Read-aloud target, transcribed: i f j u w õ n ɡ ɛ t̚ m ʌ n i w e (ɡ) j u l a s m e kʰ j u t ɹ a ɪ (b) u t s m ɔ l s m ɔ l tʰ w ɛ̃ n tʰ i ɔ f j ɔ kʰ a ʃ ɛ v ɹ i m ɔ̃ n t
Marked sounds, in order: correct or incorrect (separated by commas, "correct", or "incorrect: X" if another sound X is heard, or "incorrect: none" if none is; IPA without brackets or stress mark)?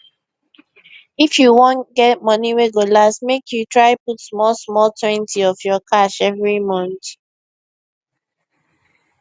correct, incorrect: p